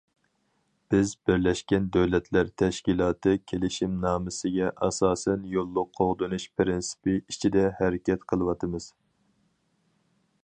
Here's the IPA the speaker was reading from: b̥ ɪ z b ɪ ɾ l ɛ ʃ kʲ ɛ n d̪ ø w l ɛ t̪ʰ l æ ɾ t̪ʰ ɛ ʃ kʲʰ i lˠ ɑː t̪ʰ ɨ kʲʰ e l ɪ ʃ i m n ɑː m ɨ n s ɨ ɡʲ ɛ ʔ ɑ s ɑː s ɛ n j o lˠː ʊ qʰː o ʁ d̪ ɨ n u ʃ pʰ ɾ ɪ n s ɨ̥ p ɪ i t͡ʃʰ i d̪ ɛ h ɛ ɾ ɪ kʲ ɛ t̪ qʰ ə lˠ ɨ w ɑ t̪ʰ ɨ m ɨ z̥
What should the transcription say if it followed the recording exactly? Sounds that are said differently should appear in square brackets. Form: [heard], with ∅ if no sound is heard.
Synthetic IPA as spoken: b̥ ɪ z b ɪ ɾ l ɛ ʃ kʲ ɛ n d̪ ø w l ɛ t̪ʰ l æ ɾ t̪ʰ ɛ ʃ [kʲ] i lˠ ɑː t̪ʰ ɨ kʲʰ e l ɪ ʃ i m n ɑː m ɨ [∅] s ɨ ɡʲ ɛ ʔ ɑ s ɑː s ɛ n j o lˠː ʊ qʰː o ʁ d̪ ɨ n u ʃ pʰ ɾ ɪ n s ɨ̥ p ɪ i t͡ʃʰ i d̪ ɛ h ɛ ɾ ɪ kʲ ɛ t̪ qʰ ə lˠ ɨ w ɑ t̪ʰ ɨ m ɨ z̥